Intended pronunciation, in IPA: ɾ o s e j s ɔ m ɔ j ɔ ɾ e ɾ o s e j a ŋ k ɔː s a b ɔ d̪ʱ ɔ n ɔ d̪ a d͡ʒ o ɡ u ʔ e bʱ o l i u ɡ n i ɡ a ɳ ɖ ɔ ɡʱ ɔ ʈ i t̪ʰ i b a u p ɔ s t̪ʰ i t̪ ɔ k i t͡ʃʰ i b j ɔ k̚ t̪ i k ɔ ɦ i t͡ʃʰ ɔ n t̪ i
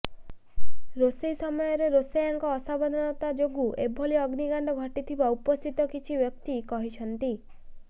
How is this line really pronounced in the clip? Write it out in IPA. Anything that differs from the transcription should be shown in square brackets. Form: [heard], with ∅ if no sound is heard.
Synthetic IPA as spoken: ɾ o s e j s ɔ m ɔ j ɔ ɾ e ɾ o s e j a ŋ k ɔː s a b ɔ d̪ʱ ɔ n ɔ [t̪] a d͡ʒ o ɡ u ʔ e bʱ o l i [ɔ] ɡ n i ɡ a ɳ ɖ ɔ ɡʱ ɔ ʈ i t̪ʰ i b a u p ɔ s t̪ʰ i t̪ ɔ k i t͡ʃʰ i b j ɔ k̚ t̪ i k ɔ ɦ i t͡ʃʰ ɔ n t̪ i